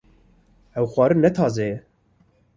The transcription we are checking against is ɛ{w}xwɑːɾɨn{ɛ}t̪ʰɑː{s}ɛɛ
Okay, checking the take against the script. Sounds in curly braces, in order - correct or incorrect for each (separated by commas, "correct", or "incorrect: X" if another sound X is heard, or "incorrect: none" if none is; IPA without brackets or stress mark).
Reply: correct, correct, incorrect: z